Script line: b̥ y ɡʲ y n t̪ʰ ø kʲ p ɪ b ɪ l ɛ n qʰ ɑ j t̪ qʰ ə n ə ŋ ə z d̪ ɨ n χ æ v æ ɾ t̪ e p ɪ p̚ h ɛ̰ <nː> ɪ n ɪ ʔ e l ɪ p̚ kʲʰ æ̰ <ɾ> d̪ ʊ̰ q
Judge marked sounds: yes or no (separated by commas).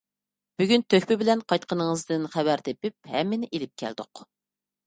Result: no, no